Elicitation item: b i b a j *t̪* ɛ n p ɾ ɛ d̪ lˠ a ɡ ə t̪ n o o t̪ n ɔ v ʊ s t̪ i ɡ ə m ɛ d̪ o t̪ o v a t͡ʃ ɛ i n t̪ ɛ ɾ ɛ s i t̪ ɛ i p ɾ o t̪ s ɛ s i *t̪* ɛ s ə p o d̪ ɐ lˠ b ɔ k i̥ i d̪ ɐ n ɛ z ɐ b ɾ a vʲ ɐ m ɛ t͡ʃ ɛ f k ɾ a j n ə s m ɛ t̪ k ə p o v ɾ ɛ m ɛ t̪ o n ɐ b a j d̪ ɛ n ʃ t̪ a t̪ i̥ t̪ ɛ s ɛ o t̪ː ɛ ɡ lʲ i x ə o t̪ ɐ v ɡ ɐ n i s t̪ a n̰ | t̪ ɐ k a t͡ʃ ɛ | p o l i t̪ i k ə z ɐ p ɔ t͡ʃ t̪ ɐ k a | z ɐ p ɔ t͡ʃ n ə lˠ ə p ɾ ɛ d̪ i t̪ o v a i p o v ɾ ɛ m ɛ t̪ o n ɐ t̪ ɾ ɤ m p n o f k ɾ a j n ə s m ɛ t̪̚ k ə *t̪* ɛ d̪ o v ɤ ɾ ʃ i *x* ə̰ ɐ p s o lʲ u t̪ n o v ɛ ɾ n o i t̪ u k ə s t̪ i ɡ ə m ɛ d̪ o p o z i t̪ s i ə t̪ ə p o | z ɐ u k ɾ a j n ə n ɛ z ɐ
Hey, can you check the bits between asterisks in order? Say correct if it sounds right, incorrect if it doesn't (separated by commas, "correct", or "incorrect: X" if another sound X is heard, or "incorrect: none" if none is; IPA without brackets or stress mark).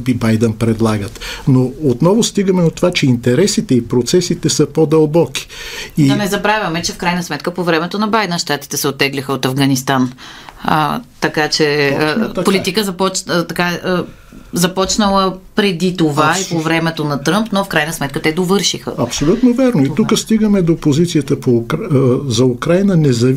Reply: incorrect: d̪, correct, correct, correct